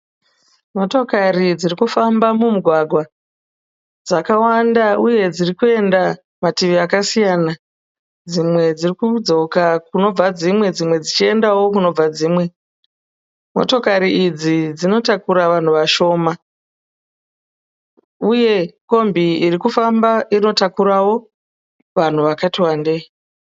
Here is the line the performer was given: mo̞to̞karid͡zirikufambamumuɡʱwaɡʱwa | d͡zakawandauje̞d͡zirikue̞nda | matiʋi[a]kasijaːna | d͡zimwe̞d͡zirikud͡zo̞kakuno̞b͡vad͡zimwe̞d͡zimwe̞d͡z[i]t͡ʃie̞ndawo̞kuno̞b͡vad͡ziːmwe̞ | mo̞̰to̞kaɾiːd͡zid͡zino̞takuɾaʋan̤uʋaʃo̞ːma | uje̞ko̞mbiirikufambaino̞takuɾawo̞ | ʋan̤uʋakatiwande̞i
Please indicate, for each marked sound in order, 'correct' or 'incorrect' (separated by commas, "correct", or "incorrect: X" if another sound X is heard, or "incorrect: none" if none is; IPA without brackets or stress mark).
correct, correct